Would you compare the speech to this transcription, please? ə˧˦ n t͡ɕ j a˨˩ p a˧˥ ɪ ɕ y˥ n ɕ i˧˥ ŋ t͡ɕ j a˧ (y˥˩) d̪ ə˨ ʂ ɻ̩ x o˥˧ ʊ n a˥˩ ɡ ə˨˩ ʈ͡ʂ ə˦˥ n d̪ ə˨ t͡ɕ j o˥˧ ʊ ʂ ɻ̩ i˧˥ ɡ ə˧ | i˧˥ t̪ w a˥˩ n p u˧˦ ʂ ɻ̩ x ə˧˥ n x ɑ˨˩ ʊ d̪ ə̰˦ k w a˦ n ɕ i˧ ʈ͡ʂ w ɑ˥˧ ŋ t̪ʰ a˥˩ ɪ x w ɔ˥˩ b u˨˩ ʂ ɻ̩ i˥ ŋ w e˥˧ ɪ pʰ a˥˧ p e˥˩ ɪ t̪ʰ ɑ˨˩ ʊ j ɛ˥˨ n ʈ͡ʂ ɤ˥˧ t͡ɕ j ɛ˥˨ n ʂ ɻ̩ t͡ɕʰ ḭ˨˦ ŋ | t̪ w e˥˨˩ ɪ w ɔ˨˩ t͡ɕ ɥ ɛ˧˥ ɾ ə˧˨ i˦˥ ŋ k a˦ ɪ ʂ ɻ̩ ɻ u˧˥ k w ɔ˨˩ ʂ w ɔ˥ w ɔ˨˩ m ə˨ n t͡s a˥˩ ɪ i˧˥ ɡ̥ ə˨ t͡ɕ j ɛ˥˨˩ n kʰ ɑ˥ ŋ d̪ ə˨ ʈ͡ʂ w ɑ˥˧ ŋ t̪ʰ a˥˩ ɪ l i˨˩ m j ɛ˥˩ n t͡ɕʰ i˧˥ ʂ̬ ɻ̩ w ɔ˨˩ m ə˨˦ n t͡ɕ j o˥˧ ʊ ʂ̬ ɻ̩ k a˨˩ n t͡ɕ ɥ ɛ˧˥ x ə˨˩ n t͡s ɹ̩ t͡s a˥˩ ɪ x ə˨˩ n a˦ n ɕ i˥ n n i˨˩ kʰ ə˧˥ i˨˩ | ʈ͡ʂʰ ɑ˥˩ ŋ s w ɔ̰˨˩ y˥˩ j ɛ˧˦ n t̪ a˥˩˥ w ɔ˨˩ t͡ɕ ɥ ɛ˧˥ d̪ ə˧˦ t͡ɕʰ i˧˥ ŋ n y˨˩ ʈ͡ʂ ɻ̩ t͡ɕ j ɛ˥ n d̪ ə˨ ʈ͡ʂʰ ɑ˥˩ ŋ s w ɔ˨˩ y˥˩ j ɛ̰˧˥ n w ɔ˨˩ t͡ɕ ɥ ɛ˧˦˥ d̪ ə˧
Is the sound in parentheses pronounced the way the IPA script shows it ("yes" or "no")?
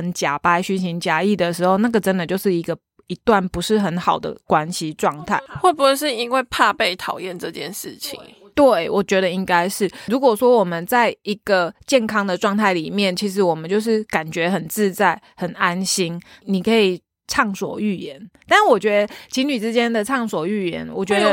no